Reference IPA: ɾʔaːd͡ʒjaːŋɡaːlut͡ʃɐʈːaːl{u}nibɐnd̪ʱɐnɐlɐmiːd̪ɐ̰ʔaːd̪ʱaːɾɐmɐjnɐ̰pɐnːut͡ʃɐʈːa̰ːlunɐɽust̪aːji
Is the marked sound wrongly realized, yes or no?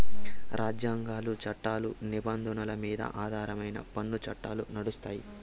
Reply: no